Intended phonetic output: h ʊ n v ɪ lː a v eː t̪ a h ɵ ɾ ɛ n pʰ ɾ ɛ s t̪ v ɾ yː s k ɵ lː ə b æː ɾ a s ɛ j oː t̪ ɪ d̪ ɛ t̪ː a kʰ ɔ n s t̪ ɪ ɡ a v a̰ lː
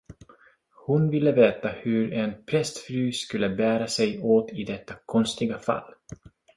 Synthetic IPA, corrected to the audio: h ʊ n v ɪ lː ə v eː t̪ a h ɵ ɾ ɛ n pʰ ɾ ɛ s t̪ f ɾ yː s k ɵ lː ə b æː ɾ a s ɛ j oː t̪ ɪ d̪ ɛ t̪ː a kʰ ɔ n s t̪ ɪ ɡ a f a̰ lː